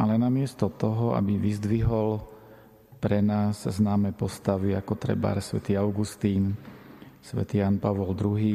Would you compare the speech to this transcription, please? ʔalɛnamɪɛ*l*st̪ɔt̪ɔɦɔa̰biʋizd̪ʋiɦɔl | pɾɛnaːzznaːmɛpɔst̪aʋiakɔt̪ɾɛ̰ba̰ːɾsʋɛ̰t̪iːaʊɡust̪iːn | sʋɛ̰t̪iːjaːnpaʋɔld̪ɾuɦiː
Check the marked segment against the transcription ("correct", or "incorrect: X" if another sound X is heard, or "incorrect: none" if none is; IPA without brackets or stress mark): incorrect: none